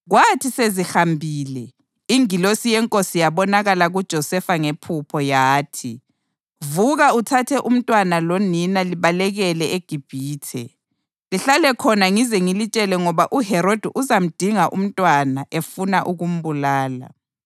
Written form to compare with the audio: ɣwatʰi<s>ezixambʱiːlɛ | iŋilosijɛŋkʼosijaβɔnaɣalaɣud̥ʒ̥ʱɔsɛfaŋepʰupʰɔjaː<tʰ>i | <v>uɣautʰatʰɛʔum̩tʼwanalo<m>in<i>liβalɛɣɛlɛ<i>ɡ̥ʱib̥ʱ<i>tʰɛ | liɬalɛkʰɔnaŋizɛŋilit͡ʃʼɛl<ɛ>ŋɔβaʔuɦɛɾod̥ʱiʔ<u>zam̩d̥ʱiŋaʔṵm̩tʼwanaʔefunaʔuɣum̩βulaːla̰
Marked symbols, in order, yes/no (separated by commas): yes, yes, yes, no, no, no, no, yes, yes